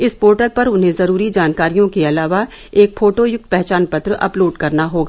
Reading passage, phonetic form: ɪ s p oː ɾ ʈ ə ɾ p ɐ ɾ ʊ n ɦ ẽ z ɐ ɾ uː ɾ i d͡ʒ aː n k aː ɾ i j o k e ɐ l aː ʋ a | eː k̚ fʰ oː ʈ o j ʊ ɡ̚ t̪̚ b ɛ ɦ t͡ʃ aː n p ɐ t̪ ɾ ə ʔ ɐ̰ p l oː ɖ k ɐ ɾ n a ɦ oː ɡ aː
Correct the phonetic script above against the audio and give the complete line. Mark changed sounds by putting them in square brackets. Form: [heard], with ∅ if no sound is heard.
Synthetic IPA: ɪ s p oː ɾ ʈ ə ɾ p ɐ ɾ ʊ n ɦ ẽ z ɐ ɾ uː ɾ i d͡ʒ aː n k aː ɾ i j [õ] k e ɐ l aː ʋ a | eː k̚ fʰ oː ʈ o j ʊ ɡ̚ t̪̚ [p] ɛ ɦ t͡ʃ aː n p ɐ t̪ ɾ ə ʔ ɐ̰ p l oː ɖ k ɐ ɾ n a ɦ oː ɡ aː